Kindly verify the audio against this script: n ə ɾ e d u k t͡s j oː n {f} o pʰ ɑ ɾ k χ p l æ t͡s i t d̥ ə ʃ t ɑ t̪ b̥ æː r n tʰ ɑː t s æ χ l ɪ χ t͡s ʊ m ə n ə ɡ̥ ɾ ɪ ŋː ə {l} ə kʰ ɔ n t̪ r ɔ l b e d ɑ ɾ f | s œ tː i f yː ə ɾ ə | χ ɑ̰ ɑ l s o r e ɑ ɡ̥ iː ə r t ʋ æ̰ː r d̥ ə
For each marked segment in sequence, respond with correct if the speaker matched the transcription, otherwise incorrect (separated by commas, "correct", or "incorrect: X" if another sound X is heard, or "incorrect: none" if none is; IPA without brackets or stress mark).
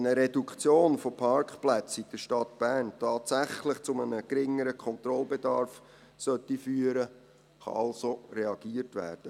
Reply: correct, incorrect: ɾ